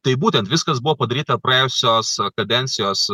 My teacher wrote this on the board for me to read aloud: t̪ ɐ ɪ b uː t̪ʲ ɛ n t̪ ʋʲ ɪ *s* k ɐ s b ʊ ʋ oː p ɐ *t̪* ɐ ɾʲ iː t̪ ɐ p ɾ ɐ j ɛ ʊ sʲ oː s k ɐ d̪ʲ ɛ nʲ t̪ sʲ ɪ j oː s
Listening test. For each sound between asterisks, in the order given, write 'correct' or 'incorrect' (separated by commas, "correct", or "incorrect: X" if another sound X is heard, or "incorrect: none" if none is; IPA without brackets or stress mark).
correct, incorrect: d̪